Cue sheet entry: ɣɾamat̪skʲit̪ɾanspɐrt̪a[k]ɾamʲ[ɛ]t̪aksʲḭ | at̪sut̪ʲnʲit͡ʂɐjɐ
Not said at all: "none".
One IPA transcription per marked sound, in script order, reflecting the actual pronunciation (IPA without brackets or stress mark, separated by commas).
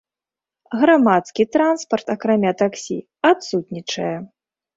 k, a